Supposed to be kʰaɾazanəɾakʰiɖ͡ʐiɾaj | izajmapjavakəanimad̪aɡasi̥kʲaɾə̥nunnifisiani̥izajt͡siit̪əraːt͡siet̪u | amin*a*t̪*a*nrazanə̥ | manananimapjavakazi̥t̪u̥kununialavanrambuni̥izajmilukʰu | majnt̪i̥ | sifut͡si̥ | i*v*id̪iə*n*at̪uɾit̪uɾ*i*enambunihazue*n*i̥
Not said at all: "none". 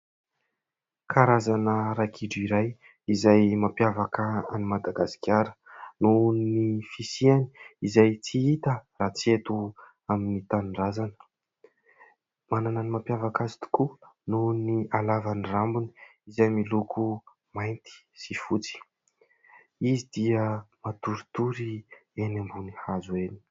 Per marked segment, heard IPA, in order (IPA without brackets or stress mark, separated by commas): i, a, z, m, i, n